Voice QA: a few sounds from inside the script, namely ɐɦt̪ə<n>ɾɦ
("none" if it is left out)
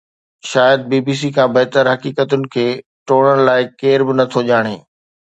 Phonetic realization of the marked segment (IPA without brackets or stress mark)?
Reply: none